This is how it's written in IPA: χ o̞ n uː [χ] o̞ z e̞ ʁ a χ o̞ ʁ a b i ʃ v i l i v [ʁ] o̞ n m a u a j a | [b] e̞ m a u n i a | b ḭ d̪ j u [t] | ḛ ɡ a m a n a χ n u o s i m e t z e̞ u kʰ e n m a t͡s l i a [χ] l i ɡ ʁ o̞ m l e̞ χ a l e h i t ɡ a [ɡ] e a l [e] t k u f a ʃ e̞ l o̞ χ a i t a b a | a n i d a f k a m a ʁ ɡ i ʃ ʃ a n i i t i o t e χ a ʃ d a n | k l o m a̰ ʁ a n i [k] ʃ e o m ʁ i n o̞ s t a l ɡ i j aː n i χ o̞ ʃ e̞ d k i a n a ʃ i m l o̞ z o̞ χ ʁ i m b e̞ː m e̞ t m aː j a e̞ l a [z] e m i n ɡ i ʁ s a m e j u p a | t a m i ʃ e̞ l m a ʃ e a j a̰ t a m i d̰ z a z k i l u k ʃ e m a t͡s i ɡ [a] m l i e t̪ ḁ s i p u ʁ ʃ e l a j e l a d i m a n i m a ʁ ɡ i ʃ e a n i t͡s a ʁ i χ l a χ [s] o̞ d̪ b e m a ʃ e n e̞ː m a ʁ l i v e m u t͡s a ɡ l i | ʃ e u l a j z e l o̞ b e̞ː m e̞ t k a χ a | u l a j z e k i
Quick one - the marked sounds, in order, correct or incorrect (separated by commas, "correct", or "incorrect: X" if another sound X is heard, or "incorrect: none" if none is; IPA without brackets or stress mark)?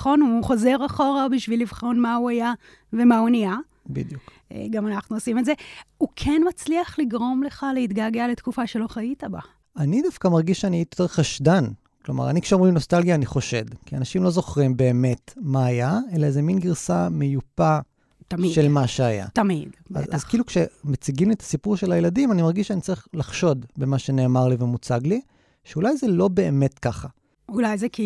correct, incorrect: χ, incorrect: v, incorrect: k, correct, correct, correct, correct, correct, incorrect: i, incorrect: ʃ